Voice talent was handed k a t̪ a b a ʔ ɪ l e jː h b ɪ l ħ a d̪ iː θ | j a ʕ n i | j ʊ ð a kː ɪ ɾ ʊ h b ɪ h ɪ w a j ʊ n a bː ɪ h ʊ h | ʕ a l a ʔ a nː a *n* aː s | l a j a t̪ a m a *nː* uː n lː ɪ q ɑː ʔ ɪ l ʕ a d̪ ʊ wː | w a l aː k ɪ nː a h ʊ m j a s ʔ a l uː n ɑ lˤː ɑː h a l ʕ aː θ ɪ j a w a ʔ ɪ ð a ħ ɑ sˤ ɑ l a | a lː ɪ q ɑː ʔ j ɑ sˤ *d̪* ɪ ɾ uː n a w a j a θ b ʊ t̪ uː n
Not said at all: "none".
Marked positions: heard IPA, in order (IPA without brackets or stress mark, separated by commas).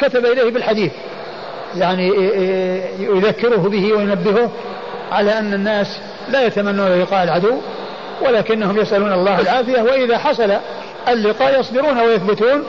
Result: nː, nː, d̪